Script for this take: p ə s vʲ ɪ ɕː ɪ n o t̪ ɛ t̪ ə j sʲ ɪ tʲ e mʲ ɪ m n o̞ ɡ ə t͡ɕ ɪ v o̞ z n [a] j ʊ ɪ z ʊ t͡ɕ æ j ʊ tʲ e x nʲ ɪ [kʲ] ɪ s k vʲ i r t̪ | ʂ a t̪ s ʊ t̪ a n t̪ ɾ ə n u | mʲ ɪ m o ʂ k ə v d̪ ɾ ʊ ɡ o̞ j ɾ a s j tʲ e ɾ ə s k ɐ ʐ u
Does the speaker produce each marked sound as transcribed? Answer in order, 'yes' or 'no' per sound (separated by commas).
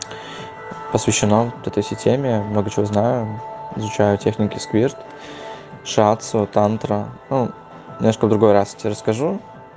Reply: yes, yes